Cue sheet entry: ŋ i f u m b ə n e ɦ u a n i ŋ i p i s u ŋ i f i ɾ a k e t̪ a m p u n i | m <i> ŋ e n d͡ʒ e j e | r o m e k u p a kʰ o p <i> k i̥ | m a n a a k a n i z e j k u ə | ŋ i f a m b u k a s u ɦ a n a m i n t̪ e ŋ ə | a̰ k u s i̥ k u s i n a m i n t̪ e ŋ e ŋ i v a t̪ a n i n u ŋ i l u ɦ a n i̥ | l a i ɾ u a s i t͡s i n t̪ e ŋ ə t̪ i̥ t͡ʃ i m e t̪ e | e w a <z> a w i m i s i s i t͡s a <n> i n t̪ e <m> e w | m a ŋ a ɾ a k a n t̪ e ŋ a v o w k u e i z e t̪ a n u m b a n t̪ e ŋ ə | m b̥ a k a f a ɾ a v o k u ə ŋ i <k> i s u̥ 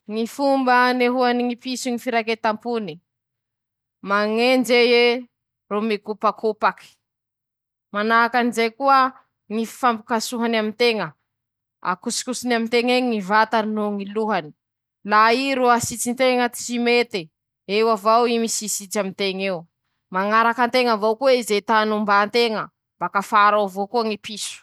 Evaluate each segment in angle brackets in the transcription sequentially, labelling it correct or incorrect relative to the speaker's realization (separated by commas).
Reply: incorrect, incorrect, incorrect, incorrect, incorrect, incorrect